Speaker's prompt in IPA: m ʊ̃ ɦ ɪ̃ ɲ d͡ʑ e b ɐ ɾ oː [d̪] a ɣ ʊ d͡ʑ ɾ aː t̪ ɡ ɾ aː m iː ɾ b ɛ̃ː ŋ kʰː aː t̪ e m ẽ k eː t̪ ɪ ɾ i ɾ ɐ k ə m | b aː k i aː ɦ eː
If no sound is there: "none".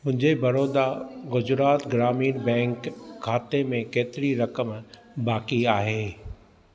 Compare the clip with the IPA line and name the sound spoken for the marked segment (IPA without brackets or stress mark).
d̪